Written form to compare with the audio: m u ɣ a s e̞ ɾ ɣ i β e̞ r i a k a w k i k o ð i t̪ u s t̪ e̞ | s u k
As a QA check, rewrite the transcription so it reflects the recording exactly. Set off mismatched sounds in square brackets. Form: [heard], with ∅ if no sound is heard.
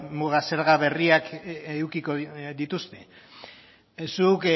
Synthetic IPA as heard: m u ɣ a s e̞ ɾ ɣ [a] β e̞ r i a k [e] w k i k o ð i t̪ u s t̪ e̞ | s u k